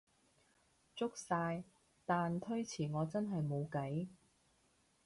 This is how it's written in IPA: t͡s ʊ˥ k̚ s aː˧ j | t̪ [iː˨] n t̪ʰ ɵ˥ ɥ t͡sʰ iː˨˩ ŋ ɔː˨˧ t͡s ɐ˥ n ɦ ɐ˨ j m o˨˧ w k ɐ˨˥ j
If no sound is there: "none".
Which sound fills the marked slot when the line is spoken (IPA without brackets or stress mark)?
aː˨